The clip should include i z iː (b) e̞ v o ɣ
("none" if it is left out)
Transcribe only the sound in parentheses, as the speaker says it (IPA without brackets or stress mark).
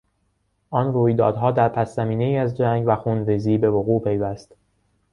b